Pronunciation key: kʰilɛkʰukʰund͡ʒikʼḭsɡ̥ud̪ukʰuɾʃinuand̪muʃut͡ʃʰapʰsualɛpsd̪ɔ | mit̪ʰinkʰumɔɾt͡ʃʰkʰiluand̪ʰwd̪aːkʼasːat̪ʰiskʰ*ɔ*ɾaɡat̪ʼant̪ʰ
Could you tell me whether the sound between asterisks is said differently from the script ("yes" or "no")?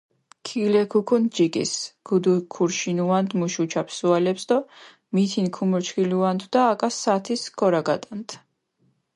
no